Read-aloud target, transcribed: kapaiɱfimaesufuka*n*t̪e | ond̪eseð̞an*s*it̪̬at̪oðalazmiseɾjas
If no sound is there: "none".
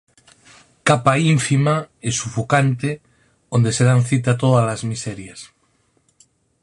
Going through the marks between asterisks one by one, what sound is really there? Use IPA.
n, θ

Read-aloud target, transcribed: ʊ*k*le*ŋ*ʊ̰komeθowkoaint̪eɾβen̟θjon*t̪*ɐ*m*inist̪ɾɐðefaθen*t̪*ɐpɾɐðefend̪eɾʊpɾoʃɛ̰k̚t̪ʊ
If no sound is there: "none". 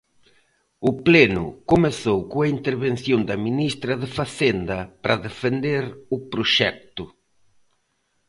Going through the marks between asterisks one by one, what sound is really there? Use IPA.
p, n, d̪, m, d̪

